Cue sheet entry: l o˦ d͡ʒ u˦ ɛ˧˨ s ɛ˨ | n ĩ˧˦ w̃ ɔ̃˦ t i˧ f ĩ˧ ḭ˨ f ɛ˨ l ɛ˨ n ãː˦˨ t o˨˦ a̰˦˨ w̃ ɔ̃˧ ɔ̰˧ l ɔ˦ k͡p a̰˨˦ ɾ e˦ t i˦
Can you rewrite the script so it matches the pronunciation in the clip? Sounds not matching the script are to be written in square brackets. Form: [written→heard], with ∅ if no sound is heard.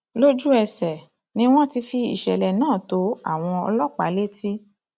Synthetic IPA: l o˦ d͡ʒ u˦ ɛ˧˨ s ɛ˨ | n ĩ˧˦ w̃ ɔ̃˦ t i˧ f [ĩ˧→i˧] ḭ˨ [f→ʃ] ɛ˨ l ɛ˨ n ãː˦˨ t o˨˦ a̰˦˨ w̃ ɔ̃˧ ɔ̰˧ l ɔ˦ k͡p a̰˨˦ [ɾ→l] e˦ t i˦